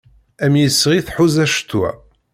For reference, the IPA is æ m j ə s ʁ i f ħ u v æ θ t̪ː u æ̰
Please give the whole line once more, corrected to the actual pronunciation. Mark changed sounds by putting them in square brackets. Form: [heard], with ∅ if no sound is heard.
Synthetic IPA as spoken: æ m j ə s ʁ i [θ] ħ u [z] æ [ʃ] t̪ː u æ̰

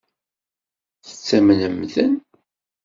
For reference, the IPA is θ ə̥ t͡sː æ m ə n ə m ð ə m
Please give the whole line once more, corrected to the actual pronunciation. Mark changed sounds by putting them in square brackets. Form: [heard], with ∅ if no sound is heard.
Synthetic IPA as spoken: θ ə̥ t͡sː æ m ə n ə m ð ə [n]

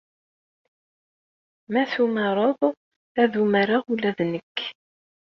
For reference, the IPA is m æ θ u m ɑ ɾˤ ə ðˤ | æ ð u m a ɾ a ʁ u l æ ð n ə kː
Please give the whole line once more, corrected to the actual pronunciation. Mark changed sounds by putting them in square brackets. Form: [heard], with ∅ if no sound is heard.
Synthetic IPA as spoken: m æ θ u m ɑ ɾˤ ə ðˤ | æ ð u m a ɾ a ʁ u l æ ð n ə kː

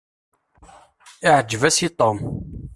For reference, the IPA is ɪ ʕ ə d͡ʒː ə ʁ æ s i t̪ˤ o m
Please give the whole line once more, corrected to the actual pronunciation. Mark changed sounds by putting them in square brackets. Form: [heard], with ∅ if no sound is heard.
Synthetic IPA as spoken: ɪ ʕ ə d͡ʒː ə [v] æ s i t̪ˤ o m

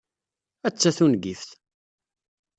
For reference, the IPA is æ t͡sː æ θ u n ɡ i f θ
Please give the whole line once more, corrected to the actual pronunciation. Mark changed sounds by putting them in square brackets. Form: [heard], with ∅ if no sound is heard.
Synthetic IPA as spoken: æ t͡sː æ θ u n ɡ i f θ

